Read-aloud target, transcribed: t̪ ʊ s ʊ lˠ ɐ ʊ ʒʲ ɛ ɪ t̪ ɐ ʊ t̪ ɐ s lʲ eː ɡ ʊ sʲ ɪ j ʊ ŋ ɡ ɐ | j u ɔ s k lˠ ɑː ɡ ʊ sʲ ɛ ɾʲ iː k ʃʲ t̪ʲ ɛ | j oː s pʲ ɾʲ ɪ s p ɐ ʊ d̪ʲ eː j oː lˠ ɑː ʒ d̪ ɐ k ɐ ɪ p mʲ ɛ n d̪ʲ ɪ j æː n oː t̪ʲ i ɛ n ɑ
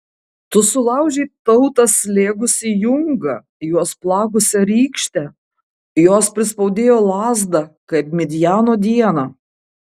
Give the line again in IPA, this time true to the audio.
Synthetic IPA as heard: t̪ ʊ s ʊ lˠ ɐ ʊ ʒʲ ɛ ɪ t̪ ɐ ʊ t̪ ɐ s lʲ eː ɡ ʊ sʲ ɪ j ʊ ŋ ɡ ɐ | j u ɔ s p lˠ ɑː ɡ ʊ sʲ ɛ ɾʲ iː k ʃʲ t̪ʲ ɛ | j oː s pʲ ɾʲ ɪ s p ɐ ʊ d̪ʲ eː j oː lˠ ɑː z d̪ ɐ k ɐ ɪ p mʲ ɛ d̪ʲ ɪ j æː n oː d̪ʲ i ɛ n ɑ

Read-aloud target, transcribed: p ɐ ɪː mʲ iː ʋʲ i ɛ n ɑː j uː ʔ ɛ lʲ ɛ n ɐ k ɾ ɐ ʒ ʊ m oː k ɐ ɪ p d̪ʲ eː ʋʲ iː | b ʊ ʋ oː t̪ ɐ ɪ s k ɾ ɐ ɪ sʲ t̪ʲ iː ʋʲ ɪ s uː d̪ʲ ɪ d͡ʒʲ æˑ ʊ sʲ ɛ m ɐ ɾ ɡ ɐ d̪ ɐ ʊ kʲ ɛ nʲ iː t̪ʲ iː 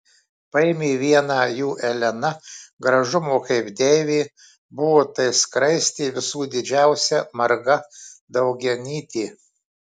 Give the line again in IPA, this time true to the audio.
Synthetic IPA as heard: p ɐ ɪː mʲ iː ʋʲ i ɛ n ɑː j uː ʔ ɛ lʲ ɛ n ɐ ɡ ɾ ɐ ʒ ʊ m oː k ɐ ɪ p d̪ʲ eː ʋʲ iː | b ʊ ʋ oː t̪ ɐ ɪ s k ɾ ɐ ɪ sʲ t̪ʲ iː ʋʲ ɪ s uː d̪ʲ ɪ d͡ʒʲ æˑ ʊ sʲ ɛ m ɐ ɾ ɡ ɐ d̪ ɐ ʊ ɡʲ ɛ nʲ iː t̪ʲ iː

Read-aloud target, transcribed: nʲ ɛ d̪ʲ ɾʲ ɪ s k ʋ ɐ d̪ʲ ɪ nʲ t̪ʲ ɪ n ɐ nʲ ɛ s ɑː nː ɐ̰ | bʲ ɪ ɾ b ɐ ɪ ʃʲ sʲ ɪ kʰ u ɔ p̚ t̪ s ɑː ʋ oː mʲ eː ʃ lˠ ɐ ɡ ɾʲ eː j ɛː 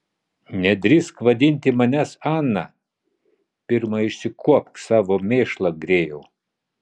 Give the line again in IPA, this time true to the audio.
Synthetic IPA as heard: nʲ ɛ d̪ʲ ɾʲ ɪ s k ʋ ɐ d̪ʲ ɪ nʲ t̪ʲ ɪ m ɐ nʲ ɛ s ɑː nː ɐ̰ | pʲ ɪ ɾ m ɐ ɪ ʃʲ sʲ ɪ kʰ u ɔ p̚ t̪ s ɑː ʋ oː mʲ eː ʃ lˠ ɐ ɡ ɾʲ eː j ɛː

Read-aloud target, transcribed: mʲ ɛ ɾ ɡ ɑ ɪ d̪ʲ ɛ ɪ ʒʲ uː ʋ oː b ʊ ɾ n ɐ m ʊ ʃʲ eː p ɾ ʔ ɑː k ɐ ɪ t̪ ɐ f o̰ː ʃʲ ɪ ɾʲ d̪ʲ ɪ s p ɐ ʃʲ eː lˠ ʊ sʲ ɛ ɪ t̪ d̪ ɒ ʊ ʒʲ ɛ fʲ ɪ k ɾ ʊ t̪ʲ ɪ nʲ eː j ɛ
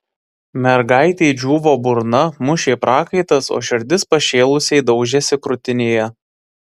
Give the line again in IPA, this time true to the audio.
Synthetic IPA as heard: mʲ ɛ ɾ ɡ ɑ ɪ t̪ʲ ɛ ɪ d͡ʒʲ uː ʋ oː b ʊ ɾ n ɐ m ʊ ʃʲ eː p ɾ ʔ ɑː k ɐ ɪ t̪ ɐ s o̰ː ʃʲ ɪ ɾʲ d̪ʲ ɪ s p ɐ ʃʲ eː lˠ ʊ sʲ ɛ ɪ d̪ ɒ ʊ ʒʲ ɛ sʲ ɪ k ɾ ʊ t̪ʲ ɪ nʲ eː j ɛ

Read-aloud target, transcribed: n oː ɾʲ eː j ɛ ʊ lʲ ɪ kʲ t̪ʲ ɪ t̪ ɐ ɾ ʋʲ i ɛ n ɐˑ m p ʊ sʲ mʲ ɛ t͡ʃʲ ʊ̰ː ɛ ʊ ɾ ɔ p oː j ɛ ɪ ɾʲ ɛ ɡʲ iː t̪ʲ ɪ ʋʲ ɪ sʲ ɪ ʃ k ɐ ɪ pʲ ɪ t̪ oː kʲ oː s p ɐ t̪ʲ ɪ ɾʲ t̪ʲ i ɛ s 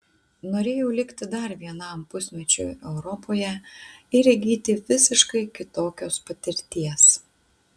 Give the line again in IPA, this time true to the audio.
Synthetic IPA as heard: n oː ɾʲ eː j ɛ ʊ lʲ ɪ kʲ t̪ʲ ɪ d̪ ɐ ɾ ʋʲ i ɛ n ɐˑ m p ʊ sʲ mʲ ɛ t͡ʃʲ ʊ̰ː ɛ ʊ ɾ ɔ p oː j ɛ ɪ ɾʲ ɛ ɡʲ iː t̪ʲ ɪ ʋʲ ɪ sʲ ɪ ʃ k ɐ ɪ kʲ ɪ t̪ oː kʲ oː s p ɐ t̪ʲ ɪ ɾʲ t̪ʲ i ɛ s

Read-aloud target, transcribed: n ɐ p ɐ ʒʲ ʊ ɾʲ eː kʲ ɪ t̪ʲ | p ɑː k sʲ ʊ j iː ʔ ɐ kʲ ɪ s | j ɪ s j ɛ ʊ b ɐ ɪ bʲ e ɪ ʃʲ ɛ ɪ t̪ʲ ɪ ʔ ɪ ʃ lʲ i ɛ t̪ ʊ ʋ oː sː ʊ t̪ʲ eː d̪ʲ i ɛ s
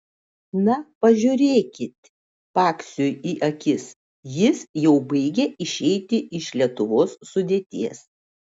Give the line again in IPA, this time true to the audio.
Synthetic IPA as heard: n ɐ p ɐ ʒʲ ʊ ɾʲ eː kʲ ɪ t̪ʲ | p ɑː k sʲ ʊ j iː ʔ ɐ kʲ ɪ s | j ɪ s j ɛ ʊ b ɐ ɪ ɡʲ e ɪ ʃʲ ɛ ɪ t̪ʲ ɪ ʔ ɪ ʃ lʲ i ɛ t̪ ʊ ʋ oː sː ʊ d̪ʲ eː t̪ʲ i ɛ s

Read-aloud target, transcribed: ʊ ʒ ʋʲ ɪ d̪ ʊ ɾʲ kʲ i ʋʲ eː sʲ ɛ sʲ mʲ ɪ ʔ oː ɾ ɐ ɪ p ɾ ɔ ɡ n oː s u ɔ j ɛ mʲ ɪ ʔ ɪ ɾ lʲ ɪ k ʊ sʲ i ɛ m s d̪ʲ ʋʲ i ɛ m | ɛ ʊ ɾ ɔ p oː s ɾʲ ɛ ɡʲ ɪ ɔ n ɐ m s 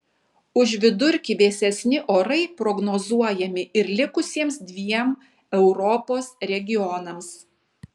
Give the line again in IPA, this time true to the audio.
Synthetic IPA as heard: ʊ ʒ ʋʲ ɪ d̪ ʊ ɾʲ kʲ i ʋʲ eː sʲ ɛ sʲ nʲ ɪ ʔ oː ɾ ɐ ɪ p ɾ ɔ ɡ n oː z u ɔ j ɛ mʲ ɪ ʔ ɪ ɾ lʲ ɪ k ʊ sʲ i ɛ m s d̪ʲ ʋʲ i ɛ m | ɛ ʊ ɾ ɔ p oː s ɾʲ ɛ ɡʲ ɪ ɔ n ɐ m s

